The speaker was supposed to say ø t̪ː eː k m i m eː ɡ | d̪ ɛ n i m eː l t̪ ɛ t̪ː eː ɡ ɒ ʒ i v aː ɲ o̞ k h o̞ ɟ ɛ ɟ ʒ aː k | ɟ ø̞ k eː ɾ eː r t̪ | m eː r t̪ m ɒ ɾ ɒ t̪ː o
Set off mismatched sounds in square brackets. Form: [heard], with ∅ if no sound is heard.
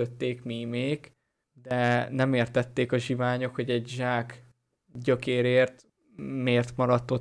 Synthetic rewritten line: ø t̪ː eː k m i m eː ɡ | d̪ ɛ n [ɛ] m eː [r] t̪ ɛ t̪ː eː [k] ɒ ʒ i v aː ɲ o̞ k h o̞ ɟ ɛ ɟ ʒ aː k | ɟ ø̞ k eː ɾ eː r t̪ | m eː r t̪ m ɒ ɾ ɒ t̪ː o